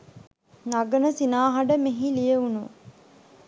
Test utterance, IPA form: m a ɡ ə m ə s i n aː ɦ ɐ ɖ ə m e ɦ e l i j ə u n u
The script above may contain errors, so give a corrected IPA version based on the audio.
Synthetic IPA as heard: n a ɡ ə n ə s i n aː ɦ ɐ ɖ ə m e ɦ i l i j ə u n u